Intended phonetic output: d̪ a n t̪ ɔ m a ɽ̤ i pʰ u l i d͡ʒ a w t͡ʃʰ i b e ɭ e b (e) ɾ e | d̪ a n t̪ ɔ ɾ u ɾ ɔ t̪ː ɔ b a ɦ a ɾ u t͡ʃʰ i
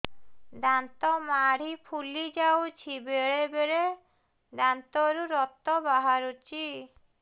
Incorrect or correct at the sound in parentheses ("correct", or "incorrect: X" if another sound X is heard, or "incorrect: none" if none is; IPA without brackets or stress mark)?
correct